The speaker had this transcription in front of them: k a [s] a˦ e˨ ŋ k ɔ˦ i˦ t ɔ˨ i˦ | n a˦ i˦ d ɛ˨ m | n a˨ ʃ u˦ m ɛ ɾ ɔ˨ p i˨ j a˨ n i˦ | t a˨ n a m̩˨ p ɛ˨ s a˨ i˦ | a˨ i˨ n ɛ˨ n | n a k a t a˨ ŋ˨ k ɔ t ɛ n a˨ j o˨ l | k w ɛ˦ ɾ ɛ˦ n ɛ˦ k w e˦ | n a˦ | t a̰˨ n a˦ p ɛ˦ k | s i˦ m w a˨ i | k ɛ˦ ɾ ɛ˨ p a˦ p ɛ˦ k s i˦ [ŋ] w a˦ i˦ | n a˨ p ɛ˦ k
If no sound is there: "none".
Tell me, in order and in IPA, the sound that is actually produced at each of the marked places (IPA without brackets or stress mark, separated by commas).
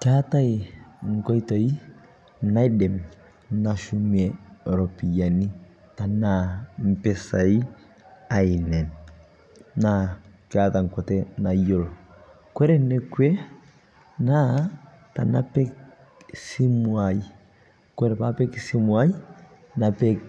t, m